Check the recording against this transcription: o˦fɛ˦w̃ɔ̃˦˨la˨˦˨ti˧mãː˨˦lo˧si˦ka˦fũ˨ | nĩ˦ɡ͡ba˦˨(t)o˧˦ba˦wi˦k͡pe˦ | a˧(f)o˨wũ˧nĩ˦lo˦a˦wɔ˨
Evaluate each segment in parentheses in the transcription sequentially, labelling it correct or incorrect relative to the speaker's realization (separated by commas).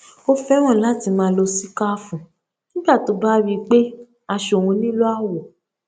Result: correct, incorrect